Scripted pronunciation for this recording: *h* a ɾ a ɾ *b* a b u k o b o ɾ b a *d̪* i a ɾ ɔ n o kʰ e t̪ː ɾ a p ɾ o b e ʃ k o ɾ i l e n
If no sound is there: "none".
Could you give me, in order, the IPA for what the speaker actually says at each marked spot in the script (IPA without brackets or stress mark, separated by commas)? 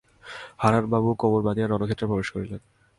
h, b, d̪